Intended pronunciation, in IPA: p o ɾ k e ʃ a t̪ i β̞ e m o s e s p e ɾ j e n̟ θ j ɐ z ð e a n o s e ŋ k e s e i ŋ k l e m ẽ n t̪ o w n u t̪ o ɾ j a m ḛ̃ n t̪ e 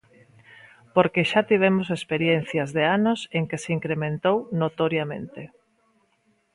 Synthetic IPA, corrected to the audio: p o ɾ k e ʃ a t̪ i β̞ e m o s e s p e ɾ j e n̟ θ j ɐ z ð e a n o s e ŋ k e s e i ŋ k ɾ e m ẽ n t̪ o w n o t̪ o ɾ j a m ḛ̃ n t̪ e